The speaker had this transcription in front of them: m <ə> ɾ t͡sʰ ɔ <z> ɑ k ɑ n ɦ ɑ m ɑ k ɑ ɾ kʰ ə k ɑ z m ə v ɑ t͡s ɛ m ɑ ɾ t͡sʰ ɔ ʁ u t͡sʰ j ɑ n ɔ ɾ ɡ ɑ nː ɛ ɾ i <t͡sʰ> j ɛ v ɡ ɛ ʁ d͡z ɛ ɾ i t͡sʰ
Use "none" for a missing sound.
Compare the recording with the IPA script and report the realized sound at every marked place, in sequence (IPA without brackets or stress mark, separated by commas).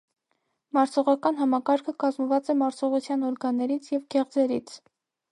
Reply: ɑ, ʁ, t͡sʰ